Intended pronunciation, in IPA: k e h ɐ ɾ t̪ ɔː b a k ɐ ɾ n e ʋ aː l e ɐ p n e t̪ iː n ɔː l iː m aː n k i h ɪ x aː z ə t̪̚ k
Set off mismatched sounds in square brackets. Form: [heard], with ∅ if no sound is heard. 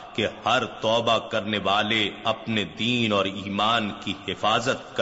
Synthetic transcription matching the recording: k e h ɐ ɾ t̪ ɔː b a k ɐ ɾ n e ʋ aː l e ɐ p n e [d̪] iː n ɔː [ɾ] iː m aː n k i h ɪ [f] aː z ə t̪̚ k